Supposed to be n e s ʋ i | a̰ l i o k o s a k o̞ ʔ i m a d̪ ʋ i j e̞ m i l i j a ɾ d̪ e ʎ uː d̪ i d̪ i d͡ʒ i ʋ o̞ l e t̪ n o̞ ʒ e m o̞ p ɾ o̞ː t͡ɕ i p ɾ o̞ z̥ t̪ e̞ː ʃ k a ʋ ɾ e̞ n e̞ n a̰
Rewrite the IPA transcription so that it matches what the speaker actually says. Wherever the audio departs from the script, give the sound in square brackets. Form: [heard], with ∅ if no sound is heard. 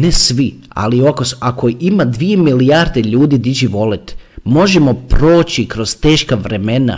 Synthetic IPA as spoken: n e s ʋ i | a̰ l i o k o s a k o̞ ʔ i m a d̪ ʋ i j e̞ m i l i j a ɾ d̪ e ʎ uː d̪ i d̪ i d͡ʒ i ʋ o̞ l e t̪ [m] o̞ ʒ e m o̞ p ɾ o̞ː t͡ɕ i [k] ɾ o̞ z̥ t̪ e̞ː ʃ k a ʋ ɾ e̞ [m] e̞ n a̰